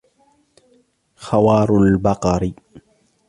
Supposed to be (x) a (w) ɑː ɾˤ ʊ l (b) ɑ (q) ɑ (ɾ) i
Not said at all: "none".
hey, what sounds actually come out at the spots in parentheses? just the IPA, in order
x, w, b, q, ɾ

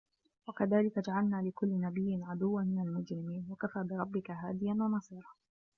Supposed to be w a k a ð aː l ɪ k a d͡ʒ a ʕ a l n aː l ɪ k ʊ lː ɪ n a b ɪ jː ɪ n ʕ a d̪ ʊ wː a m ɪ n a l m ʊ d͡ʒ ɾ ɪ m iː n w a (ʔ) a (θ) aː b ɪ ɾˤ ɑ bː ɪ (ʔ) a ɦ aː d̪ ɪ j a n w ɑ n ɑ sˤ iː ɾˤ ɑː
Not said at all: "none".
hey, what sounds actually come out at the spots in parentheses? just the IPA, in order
k, f, k

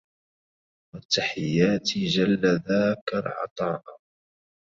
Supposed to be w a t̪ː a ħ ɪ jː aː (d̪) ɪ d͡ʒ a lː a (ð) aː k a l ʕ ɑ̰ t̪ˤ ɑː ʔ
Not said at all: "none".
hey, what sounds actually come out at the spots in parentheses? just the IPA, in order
t̪, ð

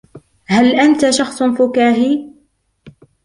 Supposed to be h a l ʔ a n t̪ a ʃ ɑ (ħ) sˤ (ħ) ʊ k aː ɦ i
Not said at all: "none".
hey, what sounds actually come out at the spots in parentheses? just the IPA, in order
x, f

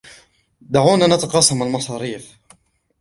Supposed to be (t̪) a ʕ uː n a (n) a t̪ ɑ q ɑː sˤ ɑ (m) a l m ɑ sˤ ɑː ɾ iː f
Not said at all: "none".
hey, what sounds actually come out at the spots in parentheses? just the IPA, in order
d̪, n, m

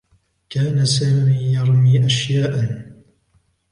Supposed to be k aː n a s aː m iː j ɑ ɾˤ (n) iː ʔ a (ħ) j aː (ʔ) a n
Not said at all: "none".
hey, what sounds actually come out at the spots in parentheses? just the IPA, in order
m, ʃ, ʔ

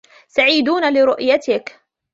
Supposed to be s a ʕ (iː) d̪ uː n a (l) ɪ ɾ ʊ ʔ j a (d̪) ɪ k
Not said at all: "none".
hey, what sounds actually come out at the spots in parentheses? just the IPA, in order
iː, l, t̪

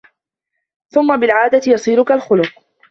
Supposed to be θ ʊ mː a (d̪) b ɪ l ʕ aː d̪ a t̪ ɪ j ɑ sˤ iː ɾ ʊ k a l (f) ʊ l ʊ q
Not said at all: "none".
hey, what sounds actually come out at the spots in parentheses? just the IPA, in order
none, x

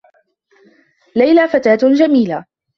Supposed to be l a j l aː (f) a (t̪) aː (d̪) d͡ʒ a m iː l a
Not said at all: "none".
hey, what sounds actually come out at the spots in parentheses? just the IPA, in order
f, t̪, t̪

